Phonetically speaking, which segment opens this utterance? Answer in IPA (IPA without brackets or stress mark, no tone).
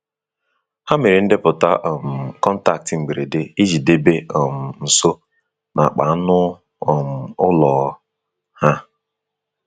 h